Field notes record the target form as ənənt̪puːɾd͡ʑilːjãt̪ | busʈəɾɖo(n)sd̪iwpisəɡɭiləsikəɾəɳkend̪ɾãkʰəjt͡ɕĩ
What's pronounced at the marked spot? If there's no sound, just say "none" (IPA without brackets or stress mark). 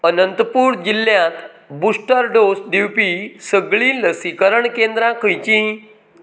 none